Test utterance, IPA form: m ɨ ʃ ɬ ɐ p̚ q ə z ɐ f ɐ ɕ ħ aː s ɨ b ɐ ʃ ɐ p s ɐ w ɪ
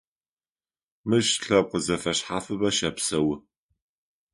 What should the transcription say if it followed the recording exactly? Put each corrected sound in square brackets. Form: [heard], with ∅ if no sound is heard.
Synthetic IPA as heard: m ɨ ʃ ɬ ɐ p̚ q ə z ɐ f ɐ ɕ ħ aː [f] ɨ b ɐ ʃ ɐ p s ɐ w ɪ